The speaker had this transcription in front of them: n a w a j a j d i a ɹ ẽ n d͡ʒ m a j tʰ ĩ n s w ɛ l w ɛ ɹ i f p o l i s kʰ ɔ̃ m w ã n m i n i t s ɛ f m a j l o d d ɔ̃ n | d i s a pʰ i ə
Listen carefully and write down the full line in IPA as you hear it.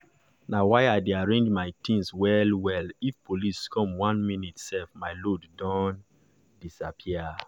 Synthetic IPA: n a w a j a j d e a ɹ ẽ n d͡ʒ m a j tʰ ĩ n s w ɛ l w ɛ l i f p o l i s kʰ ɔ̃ m w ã n m i n i t s ɛ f m a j l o d d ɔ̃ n | d i s a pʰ i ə